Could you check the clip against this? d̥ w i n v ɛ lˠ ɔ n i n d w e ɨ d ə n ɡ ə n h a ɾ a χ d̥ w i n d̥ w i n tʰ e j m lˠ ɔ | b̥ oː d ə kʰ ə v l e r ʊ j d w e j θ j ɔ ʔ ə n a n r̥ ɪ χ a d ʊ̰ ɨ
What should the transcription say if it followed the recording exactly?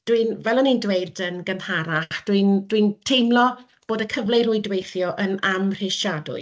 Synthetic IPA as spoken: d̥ w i n v ɛ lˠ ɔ n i n d w e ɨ d ə n ɡ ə n h a ɾ a χ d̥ w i n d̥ w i n tʰ e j m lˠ ɔ | b̥ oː d ə kʰ ə v l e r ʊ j d w e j θ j ɔ ʔ ə n a m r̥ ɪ ʃ a d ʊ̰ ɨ